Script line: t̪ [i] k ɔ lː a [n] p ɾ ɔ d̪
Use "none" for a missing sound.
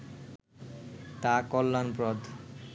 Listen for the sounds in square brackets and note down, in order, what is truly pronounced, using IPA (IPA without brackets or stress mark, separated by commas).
a, n